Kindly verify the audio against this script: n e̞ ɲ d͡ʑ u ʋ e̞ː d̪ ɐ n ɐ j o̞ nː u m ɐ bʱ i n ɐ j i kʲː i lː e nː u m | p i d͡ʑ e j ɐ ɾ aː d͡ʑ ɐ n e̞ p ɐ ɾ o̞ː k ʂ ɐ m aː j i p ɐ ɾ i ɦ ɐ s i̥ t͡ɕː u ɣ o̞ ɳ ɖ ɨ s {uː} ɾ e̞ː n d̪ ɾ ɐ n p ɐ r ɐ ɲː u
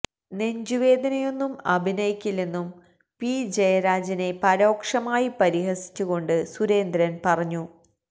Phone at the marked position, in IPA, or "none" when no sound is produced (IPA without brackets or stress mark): u